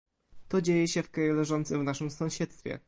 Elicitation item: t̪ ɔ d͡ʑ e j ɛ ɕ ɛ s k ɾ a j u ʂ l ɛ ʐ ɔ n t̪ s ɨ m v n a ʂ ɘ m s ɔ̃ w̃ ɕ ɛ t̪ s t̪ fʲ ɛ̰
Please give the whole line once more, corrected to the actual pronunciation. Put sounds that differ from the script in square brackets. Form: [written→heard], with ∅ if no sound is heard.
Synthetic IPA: t̪ ɔ d͡ʑ e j ɛ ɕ ɛ [s→f] k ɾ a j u [ʂ→∅] l ɛ ʐ ɔ n t̪ s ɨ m v n a ʂ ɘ m s ɔ̃ w̃ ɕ ɛ t̪ s t̪ fʲ ɛ̰